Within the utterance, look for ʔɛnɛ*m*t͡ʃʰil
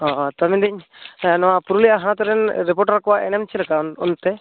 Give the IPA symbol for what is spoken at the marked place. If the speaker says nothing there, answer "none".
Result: m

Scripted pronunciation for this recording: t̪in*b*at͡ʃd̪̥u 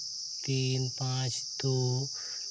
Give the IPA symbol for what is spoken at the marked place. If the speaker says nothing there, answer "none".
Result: p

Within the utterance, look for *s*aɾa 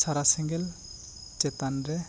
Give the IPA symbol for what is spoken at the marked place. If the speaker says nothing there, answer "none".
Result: s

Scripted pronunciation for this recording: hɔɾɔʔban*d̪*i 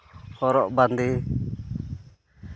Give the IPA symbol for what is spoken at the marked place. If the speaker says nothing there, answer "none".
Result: d̪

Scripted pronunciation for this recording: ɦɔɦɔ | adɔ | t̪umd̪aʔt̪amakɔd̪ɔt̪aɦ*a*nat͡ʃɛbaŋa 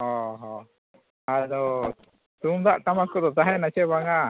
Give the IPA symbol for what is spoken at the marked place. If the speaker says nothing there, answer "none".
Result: ɛ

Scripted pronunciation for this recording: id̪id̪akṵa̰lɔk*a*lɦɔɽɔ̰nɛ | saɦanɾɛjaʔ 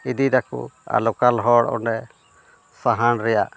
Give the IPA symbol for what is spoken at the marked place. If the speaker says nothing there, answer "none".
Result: a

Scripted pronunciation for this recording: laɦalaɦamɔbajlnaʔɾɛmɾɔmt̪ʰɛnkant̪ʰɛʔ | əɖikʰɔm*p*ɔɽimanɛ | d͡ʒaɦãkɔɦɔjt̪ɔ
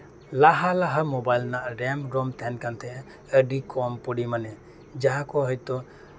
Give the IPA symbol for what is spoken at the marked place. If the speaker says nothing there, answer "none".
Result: p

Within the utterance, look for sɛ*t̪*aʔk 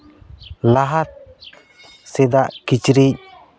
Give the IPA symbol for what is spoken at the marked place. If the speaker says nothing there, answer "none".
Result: d̪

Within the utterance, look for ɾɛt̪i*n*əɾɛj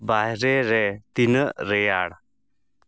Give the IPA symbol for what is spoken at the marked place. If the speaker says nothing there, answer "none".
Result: n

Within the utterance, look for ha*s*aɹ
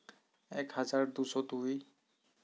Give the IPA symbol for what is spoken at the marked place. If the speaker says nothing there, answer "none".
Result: z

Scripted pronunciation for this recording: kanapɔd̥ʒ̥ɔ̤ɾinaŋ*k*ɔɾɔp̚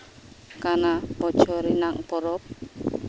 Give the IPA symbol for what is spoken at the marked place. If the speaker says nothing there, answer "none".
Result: p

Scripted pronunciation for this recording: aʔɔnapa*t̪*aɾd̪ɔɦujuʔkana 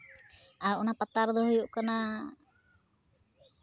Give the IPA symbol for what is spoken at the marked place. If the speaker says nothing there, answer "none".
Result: t̪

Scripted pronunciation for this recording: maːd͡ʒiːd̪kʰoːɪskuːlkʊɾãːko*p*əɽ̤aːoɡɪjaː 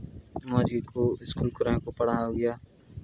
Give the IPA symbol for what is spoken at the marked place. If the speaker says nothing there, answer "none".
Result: p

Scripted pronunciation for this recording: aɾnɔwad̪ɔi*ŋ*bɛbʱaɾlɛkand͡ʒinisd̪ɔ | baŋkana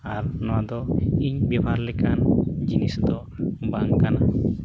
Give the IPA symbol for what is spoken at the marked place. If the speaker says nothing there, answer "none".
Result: ɲ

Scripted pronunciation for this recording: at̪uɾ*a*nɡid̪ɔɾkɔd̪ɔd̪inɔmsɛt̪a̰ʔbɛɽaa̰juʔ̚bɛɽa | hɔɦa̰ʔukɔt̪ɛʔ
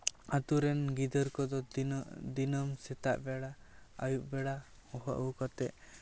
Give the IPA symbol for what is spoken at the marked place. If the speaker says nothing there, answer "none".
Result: ɛ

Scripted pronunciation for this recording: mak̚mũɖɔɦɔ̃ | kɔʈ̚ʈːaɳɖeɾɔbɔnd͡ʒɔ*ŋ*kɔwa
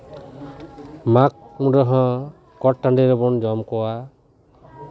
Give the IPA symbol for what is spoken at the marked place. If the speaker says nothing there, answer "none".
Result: m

